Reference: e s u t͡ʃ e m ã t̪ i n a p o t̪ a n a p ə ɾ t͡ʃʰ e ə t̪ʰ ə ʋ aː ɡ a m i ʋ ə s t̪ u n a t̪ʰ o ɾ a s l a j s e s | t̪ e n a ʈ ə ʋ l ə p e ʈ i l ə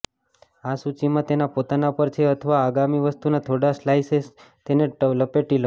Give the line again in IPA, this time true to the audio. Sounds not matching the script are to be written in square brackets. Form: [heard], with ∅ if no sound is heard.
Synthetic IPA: [a] s u t͡ʃ [i] m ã t̪ [e] n a p o t̪ a n a p ə ɾ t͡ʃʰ e ə t̪ʰ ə ʋ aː ɡ a m i ʋ ə s t̪ u n a t̪ʰ o [ɽ] a s l a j s e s | t̪ e n [e] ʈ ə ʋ l ə p e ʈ i l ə